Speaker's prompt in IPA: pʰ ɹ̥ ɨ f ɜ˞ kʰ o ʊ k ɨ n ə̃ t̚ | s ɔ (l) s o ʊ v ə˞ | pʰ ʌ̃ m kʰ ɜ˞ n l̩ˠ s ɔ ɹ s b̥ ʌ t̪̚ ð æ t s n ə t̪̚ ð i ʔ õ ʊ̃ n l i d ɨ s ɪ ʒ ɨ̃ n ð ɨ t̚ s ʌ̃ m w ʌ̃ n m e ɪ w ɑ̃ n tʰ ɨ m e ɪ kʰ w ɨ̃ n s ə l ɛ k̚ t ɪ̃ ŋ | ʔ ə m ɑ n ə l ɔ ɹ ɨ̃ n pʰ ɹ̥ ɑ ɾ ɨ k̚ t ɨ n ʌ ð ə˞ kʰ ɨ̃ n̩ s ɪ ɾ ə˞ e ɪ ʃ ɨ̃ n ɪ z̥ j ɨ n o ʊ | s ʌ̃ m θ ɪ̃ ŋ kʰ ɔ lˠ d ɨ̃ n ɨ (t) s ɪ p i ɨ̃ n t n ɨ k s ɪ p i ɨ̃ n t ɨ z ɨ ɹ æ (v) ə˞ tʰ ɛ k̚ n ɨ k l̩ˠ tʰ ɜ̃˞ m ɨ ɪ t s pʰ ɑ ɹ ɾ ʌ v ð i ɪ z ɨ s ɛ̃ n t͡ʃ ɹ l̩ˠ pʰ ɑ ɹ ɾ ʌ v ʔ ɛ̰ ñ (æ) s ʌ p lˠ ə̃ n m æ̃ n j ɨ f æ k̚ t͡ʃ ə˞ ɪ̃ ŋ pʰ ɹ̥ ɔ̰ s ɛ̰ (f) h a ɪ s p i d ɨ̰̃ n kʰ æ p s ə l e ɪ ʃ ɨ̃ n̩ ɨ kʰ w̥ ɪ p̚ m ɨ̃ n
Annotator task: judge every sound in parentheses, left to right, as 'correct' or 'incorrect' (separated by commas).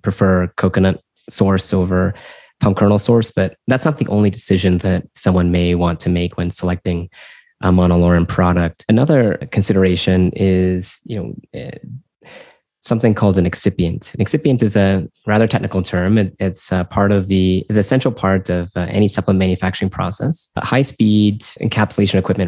incorrect, incorrect, incorrect, incorrect, incorrect